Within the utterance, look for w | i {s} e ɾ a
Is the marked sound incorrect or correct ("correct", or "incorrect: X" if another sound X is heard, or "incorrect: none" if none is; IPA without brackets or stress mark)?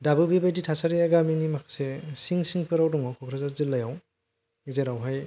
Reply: incorrect: z